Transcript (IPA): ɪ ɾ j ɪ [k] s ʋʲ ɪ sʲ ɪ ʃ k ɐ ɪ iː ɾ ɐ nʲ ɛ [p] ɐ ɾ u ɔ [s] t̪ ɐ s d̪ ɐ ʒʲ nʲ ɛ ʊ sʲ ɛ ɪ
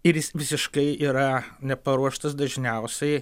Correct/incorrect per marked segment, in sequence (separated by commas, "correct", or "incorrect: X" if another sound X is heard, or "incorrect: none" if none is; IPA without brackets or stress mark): incorrect: none, correct, incorrect: ʃ